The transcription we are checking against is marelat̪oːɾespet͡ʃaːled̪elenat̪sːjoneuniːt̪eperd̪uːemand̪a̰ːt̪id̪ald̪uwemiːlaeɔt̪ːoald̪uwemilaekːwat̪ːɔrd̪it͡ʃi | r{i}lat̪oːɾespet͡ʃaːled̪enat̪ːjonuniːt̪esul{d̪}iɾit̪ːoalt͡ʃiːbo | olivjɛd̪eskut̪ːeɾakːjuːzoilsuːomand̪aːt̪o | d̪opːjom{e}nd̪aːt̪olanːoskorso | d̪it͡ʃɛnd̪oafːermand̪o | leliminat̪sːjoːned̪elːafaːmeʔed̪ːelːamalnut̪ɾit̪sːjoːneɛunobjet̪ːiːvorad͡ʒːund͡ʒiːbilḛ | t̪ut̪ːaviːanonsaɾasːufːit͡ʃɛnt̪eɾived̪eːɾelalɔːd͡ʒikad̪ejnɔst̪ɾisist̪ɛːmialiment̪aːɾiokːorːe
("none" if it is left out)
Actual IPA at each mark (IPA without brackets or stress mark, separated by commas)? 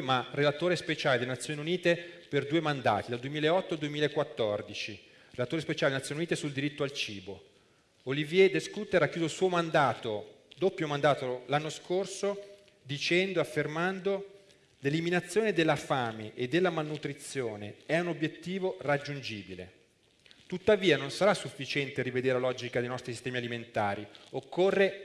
e, d̪, a